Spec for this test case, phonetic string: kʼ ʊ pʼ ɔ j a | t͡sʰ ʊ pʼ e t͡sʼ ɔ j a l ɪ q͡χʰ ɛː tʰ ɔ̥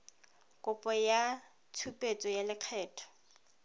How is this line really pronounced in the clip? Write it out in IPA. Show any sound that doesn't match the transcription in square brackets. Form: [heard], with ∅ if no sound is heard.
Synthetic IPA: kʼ ʊ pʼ ɔ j a | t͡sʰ [u] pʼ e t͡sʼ ɔ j a l ɪ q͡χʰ ɛː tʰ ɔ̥

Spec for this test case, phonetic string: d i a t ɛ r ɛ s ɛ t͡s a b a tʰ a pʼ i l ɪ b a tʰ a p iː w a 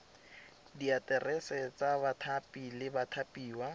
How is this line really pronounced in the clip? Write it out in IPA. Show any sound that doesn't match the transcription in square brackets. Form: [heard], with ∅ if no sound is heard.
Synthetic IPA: d i a t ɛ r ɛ s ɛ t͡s a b a tʰ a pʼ i l ɪ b a tʰ a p iː w a

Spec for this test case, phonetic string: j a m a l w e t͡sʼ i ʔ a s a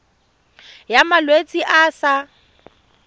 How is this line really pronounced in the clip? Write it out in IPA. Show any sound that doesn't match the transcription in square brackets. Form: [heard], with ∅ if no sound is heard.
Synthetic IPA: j a m a l w e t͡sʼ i ʔ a s a

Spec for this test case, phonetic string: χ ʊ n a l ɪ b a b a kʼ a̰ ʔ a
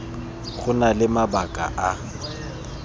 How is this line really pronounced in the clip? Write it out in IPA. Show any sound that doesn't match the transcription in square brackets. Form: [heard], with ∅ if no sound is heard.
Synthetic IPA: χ ʊ n a l ɪ [m] a b a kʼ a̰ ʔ a

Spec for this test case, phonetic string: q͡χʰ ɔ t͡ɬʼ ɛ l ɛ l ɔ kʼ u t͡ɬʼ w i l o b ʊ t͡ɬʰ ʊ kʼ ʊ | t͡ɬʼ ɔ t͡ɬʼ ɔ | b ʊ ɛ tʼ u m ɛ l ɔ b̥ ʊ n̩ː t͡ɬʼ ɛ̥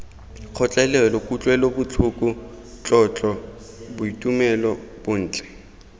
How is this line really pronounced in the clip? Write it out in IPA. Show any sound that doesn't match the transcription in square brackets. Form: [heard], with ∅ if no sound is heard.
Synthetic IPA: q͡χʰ ɔ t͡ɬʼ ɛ l ɛ l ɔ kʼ u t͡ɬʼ w [ɛ] l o b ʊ t͡ɬʰ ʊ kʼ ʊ | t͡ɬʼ ɔ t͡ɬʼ ɔ | b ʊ [i] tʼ u m ɛ l ɔ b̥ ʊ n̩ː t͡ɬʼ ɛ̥

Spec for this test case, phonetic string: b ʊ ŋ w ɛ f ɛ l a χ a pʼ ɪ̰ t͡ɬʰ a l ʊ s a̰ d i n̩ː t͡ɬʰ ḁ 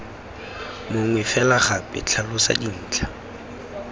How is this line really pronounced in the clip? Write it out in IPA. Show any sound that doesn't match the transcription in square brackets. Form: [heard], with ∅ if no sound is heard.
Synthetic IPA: [m] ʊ ŋ w ɛ f ɛ l a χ a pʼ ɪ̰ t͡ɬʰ a l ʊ s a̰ d i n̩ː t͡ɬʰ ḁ

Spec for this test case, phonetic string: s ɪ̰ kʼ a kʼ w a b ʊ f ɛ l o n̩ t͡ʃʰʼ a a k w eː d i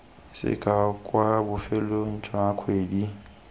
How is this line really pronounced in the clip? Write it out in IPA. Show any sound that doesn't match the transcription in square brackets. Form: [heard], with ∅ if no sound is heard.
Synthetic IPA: s ɪ̰ kʼ a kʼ w a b ʊ f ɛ l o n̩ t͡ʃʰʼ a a [kʰ] w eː d i

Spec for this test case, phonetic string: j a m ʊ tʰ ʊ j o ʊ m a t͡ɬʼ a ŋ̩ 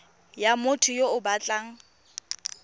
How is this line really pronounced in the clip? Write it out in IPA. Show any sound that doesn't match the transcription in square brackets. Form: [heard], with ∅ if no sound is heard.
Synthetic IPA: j a m ʊ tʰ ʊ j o ʊ [b] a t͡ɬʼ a ŋ̩

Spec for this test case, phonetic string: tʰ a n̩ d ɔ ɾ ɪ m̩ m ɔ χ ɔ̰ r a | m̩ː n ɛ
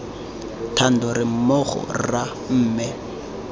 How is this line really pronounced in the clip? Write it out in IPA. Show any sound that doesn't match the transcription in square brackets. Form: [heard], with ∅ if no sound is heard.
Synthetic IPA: tʰ a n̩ d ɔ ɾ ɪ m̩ m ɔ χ ɔ̰ r a | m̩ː [m] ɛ

